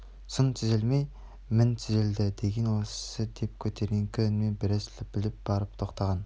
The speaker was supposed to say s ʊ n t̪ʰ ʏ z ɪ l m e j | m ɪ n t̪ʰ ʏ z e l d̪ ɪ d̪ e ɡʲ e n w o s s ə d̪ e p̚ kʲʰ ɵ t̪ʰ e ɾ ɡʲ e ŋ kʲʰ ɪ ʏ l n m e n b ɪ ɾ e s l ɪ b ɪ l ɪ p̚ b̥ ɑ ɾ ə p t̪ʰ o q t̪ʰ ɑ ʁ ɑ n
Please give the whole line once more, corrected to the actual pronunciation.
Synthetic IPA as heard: s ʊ n t̪ʰ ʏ z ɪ l m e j | m ɪ n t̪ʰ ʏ z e l d̪ ɪ d̪ e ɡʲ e n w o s s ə d̪ e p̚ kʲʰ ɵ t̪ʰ e ɾ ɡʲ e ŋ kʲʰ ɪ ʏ n m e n b ɪ ɾ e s l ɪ b ɪ l ɪ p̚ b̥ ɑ ɾ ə p t̪ʰ o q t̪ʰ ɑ ʁ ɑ n